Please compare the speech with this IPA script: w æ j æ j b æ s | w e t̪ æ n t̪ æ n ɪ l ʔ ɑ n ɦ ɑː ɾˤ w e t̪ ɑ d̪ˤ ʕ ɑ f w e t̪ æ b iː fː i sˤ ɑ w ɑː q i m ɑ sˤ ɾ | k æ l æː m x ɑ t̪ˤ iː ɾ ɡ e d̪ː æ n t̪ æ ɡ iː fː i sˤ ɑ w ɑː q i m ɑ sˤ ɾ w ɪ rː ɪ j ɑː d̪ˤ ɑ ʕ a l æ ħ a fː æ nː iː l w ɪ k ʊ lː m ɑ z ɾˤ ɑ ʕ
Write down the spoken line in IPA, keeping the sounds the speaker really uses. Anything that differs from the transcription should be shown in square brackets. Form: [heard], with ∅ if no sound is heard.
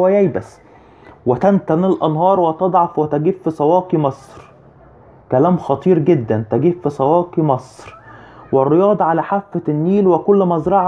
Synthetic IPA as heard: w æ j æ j b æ s | w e t̪ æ n t̪ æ n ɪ l ʔ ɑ n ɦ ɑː ɾˤ w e t̪ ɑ d̪ˤ ʕ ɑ f w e t̪ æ [ɡ] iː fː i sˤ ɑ w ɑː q i m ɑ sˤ ɾ | k æ l æː m x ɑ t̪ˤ iː ɾ ɡ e d̪ː æ n t̪ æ ɡ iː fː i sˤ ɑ w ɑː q i m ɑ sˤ ɾ w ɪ rː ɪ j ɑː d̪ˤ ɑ ʕ a l æ ħ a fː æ nː iː l w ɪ k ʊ lː m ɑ z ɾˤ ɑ ʕ